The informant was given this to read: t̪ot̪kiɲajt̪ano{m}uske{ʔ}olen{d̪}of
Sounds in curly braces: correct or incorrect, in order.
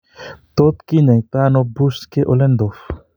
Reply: incorrect: b, correct, correct

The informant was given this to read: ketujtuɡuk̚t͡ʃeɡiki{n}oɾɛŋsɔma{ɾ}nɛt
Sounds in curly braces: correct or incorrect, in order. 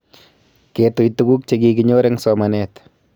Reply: incorrect: ɲ, incorrect: none

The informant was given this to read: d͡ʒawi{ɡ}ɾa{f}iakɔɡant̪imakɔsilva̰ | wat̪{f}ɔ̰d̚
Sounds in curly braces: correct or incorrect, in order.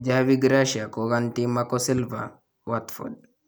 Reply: correct, incorrect: ʃ, correct

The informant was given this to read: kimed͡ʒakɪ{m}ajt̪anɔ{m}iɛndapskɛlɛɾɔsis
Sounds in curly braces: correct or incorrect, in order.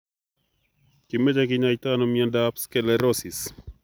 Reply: incorrect: ɲ, correct

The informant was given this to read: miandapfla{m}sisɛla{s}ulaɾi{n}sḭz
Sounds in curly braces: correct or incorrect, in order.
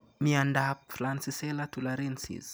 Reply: incorrect: n, incorrect: t, correct

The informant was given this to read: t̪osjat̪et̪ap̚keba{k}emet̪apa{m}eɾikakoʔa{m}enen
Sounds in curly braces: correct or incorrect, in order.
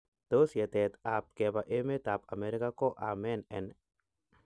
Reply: incorrect: ʔ, correct, correct

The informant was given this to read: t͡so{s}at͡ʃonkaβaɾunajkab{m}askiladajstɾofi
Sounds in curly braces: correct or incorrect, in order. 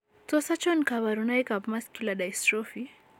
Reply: correct, correct

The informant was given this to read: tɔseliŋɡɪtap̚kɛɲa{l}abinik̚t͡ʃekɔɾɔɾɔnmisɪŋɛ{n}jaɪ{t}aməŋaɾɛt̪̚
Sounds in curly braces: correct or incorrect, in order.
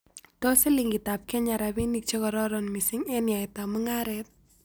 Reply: incorrect: ɾ, correct, correct

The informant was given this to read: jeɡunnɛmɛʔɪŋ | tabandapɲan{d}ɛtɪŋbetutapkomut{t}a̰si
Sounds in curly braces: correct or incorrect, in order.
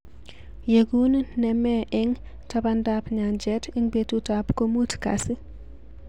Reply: incorrect: d͡ʒ, incorrect: k

